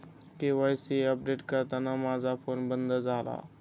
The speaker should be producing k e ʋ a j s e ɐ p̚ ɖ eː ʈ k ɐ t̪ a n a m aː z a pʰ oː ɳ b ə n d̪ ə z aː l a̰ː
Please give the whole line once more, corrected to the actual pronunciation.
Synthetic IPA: k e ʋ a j s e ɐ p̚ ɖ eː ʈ k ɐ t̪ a n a m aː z a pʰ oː n b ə n d̪ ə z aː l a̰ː